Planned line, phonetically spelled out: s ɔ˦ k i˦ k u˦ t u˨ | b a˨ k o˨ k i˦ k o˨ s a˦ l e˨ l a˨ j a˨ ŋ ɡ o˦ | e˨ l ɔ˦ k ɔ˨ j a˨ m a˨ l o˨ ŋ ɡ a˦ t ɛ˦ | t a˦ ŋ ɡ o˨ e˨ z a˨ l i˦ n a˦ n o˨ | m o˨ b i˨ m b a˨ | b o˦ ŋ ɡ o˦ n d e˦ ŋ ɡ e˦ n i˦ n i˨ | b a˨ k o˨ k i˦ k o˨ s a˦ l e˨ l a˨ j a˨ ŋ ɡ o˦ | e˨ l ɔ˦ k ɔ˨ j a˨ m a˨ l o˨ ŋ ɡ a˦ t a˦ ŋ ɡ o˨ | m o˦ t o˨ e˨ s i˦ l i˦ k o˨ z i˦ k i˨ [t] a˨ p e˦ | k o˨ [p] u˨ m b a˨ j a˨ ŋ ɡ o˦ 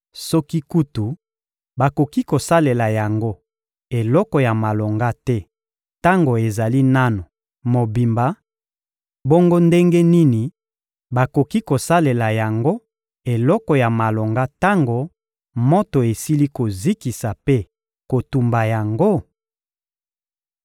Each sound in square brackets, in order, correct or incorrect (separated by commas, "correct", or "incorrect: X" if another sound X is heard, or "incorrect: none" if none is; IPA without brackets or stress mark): incorrect: s, incorrect: t